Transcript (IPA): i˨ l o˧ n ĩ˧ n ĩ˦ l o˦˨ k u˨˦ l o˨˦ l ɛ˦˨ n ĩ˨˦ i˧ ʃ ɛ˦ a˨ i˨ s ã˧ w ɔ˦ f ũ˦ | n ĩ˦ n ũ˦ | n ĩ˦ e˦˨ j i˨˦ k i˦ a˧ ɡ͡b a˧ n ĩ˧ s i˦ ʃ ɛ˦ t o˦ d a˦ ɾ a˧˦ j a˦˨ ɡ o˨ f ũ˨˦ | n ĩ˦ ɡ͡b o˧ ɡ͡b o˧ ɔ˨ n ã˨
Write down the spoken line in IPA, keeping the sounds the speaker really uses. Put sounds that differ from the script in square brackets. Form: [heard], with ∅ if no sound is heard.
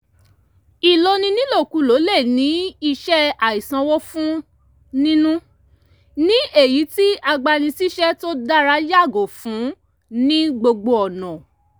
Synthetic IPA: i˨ l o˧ n ĩ˧ n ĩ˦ l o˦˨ k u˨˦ l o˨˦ l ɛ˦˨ n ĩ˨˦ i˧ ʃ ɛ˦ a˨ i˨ s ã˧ w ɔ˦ f ũ˦ | n ĩ˦ n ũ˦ | n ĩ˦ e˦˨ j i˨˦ [t] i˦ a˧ ɡ͡b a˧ n ĩ˧ s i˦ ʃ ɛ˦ t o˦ d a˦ ɾ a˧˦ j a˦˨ ɡ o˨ f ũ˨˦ | n ĩ˦ ɡ͡b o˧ ɡ͡b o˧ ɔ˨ n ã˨